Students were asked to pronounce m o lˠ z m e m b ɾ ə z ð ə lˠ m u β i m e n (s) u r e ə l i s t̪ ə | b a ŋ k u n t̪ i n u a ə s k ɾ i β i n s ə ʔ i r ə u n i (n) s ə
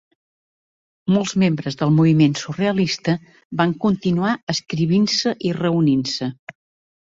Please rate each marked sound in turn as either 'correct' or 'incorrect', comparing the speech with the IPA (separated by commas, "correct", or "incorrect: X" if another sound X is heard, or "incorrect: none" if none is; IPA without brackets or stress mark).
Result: correct, correct